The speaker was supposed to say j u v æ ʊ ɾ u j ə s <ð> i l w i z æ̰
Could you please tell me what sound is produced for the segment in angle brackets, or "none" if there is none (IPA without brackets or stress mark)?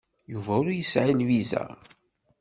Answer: ʕ